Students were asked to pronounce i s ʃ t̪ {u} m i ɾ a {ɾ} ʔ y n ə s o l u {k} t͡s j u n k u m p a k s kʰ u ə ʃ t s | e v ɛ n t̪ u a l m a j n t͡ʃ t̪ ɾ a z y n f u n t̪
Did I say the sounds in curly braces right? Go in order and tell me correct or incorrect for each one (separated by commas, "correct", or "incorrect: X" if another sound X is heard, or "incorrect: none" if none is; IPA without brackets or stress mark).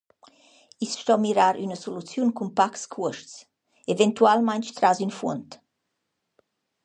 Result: incorrect: ɔ, correct, incorrect: none